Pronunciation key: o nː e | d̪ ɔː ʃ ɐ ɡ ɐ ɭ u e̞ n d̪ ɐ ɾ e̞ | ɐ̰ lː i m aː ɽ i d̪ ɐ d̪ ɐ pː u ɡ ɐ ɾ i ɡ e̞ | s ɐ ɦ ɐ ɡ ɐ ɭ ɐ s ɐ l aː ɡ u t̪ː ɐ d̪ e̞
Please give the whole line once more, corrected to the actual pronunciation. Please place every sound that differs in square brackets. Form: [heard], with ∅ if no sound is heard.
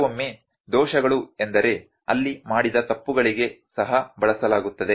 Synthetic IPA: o [mː] e | d̪ ɔː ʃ ɐ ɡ ɐ ɭ u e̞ n d̪ ɐ ɾ e̞ | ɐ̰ lː i m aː ɽ i d̪ ɐ [t̪] ɐ pː u ɡ ɐ [ɭ] i ɡ e̞ | s ɐ ɦ ɐ [b] ɐ ɭ ɐ s ɐ l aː ɡ u t̪ː ɐ d̪ e̞